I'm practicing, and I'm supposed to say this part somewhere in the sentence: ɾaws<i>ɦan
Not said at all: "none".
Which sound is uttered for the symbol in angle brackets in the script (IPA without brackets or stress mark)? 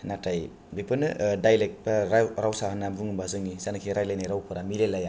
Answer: a